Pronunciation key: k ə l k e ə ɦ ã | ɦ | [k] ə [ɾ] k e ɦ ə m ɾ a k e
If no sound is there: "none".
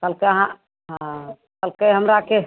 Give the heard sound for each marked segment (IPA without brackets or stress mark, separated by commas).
k, l